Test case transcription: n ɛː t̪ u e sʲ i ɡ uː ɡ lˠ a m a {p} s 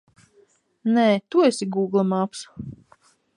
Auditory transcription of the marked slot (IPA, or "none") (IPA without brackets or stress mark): p